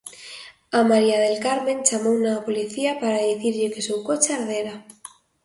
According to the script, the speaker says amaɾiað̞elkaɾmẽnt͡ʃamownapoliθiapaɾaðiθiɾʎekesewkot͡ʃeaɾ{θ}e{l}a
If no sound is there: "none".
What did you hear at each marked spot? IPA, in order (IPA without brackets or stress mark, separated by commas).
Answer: ð, ɾ